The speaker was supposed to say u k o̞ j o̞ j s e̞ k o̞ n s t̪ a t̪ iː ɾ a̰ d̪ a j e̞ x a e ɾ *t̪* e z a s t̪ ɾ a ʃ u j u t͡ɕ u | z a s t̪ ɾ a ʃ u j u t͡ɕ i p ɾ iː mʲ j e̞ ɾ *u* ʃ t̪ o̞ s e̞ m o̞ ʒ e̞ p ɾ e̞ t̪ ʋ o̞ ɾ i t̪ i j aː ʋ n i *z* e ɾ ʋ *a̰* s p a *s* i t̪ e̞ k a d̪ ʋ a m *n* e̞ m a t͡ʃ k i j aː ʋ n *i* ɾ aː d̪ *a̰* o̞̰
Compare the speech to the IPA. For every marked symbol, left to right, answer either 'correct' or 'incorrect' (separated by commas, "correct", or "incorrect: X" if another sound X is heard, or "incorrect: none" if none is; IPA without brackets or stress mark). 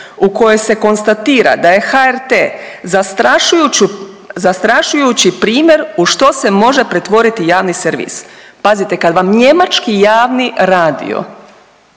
correct, correct, incorrect: s, incorrect: ḭ, incorrect: z, incorrect: ɲ, correct, incorrect: ḭ